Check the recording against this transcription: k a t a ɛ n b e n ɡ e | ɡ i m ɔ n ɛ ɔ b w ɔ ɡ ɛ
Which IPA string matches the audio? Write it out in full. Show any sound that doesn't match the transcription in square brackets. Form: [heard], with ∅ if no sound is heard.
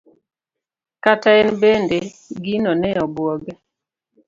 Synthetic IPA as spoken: k a t a ɛ n b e n [d] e | ɡ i [n] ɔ n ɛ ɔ b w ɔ ɡ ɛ